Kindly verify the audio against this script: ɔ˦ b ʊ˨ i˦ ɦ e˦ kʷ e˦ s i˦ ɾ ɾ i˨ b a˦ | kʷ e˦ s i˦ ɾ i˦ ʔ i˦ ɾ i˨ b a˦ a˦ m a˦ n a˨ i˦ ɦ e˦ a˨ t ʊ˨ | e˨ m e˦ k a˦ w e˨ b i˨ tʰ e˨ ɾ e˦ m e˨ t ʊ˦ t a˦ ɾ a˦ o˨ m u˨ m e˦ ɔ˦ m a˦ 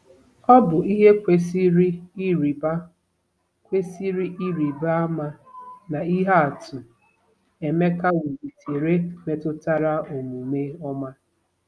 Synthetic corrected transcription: ɔ˦ b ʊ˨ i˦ ɦ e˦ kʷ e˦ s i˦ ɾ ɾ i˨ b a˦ | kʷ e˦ s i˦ ɾ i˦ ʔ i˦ ɾ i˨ b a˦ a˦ m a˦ n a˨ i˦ ɦ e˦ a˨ t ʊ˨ | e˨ m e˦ k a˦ w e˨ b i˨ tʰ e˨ ɾ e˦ m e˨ t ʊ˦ t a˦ ɾ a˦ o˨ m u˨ m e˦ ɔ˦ m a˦